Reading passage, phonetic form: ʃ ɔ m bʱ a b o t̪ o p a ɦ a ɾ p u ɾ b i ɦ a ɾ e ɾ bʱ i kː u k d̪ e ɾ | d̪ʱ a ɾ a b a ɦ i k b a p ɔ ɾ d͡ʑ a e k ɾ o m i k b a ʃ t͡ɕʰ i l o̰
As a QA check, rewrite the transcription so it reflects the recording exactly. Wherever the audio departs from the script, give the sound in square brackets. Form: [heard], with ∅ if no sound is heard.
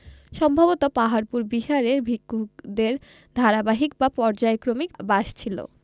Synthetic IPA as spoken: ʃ ɔ m bʱ a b o t̪ o p a ɦ a ɾ p u ɾ b i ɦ a ɾ e ɾ bʱ i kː u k d̪ e ɾ | d̪ʱ a ɾ a b a ɦ i k b a p ɔ ɾ d͡ʑ a e k ɾ o m i k b a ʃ t͡ɕʰ i l o̰